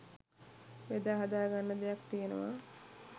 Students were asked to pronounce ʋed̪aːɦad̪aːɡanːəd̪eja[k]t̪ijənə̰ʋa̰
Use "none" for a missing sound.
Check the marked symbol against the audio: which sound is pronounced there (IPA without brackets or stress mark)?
k